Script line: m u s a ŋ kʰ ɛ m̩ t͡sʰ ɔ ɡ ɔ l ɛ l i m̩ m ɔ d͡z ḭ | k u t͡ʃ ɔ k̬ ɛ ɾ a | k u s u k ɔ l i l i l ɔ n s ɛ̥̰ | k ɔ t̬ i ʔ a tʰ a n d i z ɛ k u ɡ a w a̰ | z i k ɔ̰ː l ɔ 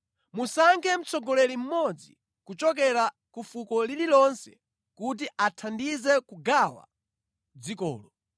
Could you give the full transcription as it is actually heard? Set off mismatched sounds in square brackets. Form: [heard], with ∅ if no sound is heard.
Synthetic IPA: m u s a ŋ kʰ ɛ m̩ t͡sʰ ɔ ɡ ɔ l ɛ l i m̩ m ɔ d͡z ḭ | k u t͡ʃ ɔ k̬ ɛ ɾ a | k u [f] u k ɔ l i l i l ɔ n s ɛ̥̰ | k [u] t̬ i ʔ a tʰ a n d i z ɛ k u ɡ a w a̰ | [d͡z] i k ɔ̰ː l ɔ